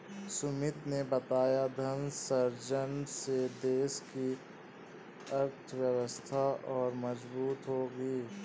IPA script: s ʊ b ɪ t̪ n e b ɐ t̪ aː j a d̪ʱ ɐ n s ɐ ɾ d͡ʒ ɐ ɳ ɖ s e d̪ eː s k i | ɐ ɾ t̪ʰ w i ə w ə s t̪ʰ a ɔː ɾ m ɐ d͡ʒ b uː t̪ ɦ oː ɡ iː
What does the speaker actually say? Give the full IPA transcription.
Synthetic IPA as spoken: s ʊ m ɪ t̪ n e b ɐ t̪ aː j a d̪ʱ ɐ n s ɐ ɾ d͡ʒ ə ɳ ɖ s e d̪ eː s k i | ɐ ɾ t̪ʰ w j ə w ə s t̪ʰ a ɔː ɾ m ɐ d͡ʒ b uː t̪ ɦ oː ɡ iː